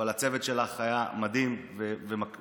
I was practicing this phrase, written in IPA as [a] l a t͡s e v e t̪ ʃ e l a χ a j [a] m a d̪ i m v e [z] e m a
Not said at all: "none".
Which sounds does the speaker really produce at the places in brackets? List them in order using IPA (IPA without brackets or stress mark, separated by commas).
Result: a, a, v